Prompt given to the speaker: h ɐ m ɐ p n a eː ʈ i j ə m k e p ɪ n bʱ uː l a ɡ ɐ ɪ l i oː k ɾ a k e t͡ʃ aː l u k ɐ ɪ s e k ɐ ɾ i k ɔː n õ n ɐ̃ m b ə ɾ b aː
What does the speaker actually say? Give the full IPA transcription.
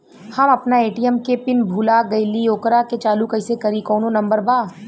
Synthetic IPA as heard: h ɐ m ɐ p n a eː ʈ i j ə m k e p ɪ n bʱ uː l a ɡ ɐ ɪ l i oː k ɾ a k e t͡ʃ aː l u k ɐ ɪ s e k ɐ ɾ i k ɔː n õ n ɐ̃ m b ə ɾ b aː